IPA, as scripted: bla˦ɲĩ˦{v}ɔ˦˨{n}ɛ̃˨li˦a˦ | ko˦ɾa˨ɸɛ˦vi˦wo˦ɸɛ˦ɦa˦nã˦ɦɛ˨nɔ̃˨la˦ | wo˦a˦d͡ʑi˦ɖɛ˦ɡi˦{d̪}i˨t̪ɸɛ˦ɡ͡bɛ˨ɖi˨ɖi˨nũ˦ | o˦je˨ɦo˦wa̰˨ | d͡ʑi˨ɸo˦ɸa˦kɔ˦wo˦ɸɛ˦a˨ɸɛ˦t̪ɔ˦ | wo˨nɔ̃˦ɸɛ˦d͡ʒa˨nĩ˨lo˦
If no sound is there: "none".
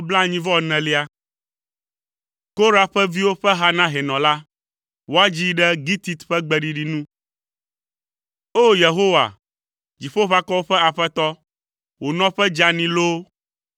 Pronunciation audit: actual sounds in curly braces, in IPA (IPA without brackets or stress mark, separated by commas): v, n, t̪